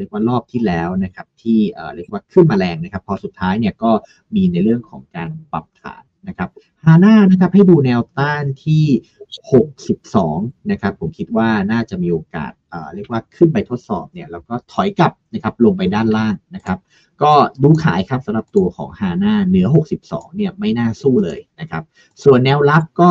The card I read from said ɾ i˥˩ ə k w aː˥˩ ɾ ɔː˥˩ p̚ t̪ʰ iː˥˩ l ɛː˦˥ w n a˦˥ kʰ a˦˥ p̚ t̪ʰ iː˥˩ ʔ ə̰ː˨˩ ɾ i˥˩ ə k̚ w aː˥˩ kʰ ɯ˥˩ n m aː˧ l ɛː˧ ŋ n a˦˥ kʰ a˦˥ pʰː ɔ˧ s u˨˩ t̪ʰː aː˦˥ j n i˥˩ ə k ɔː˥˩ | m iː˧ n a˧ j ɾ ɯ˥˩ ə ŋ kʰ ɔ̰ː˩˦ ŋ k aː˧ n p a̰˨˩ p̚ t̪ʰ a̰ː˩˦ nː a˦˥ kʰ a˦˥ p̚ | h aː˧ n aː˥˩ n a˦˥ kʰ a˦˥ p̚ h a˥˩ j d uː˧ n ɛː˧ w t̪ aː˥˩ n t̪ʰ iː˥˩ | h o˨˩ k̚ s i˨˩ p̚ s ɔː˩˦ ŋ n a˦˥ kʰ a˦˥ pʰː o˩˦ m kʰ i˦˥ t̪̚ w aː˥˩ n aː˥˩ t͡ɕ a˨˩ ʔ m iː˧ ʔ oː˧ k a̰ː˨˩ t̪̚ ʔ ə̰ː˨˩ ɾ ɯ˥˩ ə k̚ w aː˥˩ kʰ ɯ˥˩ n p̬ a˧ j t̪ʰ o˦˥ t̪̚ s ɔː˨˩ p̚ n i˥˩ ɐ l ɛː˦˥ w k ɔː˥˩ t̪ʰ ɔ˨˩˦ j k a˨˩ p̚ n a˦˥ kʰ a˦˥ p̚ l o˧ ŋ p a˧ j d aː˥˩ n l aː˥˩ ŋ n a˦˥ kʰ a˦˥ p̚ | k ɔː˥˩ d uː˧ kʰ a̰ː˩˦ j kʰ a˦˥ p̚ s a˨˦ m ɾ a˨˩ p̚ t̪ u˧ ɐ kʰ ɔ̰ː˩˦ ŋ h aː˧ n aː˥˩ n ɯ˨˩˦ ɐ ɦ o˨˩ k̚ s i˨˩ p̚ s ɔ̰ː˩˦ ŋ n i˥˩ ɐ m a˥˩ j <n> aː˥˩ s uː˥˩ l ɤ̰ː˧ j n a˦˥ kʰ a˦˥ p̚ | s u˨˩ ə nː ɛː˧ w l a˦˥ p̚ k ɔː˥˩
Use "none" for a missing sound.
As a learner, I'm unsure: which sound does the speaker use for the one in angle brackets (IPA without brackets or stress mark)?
n